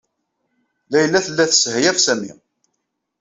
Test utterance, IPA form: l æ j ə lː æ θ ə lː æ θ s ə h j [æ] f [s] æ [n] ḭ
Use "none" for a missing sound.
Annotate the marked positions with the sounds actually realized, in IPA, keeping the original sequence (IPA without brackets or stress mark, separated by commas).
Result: æ, s, m